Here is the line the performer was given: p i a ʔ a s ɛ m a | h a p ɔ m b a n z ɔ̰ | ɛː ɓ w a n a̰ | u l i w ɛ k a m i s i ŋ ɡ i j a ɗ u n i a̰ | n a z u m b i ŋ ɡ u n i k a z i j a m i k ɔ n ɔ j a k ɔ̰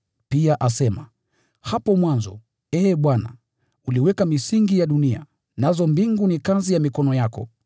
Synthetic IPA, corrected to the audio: p i a ʔ a s ɛ m a | h a p ɔ m w a n z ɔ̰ | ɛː ɓ w a n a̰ | u l i w ɛ k a m i s i ŋ ɡ i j a ɗ u n i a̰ | n a z ɔ m b i ŋ ɡ u n i k a z i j a m i k ɔ n ɔ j a k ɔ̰